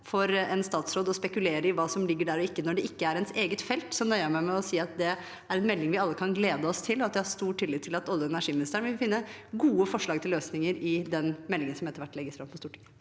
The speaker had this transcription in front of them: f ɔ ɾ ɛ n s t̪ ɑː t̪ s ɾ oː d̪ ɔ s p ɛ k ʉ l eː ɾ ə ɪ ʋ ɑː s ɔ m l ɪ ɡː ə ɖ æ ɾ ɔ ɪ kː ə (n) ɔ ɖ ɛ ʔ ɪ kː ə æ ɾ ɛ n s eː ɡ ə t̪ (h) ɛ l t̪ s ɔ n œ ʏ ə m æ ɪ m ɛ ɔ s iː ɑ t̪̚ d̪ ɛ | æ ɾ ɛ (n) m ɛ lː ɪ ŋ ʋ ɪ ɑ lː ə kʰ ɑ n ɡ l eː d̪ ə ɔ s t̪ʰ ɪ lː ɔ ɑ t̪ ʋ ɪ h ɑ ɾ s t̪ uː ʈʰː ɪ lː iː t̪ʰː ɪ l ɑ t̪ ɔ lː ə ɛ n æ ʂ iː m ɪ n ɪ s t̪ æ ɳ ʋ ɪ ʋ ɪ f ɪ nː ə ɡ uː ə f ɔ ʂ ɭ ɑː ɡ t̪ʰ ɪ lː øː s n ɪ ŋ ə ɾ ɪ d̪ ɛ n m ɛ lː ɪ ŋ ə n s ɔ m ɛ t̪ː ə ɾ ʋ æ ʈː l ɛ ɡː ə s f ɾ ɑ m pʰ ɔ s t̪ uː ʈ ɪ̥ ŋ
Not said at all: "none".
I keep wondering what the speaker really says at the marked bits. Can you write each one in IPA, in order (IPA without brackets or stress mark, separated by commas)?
n, f, n